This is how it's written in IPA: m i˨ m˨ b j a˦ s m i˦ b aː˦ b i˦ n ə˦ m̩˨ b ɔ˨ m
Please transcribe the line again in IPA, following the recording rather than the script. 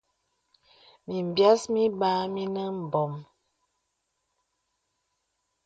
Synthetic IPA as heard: m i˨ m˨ b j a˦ s m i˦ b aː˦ m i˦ n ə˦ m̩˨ b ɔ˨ m